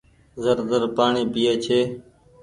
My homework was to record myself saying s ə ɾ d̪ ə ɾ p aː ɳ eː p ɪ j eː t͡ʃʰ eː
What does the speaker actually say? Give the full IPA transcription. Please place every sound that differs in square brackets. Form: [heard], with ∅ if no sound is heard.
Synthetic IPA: [z] ə ɾ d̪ ə ɾ p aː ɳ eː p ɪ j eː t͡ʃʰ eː